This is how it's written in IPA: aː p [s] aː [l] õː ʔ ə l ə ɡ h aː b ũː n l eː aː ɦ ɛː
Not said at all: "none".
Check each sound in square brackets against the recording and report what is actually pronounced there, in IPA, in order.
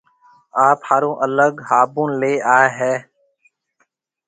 h, ɾ

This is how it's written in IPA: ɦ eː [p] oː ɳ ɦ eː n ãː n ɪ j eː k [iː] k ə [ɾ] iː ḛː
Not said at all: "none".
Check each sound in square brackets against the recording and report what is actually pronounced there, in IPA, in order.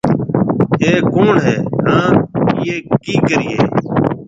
k, iː, ɾ

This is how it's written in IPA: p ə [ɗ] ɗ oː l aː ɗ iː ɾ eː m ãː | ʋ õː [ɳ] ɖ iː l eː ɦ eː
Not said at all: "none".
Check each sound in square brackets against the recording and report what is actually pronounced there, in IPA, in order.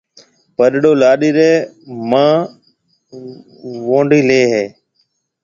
ɗ, ɳ

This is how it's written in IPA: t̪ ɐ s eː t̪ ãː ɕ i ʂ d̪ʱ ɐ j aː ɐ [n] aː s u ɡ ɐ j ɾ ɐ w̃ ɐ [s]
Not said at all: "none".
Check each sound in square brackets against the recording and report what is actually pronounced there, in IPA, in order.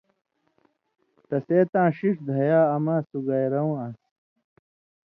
m, s

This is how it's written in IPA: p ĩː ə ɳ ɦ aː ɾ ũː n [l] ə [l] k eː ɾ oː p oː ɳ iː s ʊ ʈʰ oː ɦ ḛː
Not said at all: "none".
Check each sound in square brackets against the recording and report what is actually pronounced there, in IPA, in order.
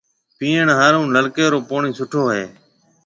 l, l

